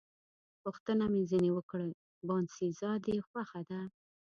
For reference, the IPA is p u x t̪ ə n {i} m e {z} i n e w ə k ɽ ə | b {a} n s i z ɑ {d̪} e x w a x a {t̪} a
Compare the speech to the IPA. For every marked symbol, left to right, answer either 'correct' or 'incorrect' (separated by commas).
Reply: incorrect, correct, incorrect, correct, incorrect